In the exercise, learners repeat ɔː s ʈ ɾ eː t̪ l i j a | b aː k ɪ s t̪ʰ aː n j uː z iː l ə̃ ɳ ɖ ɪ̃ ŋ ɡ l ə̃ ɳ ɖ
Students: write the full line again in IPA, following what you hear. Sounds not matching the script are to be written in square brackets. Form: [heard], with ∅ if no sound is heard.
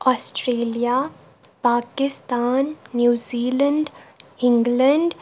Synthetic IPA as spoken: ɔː s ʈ ɾ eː [∅] l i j a | [p] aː k ɪ s [t̪] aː [nː] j uː z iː l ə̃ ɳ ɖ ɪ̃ ŋ ɡ l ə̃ ɳ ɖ